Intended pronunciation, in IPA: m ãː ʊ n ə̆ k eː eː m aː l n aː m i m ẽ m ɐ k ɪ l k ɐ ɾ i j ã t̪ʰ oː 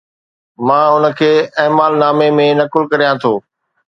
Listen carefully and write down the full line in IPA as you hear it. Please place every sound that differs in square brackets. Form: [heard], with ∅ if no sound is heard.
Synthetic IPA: m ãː ʊ n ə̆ [kʰ] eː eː m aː l n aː m [e] m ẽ [n] ɐ k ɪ l k ɐ ɾ i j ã t̪ʰ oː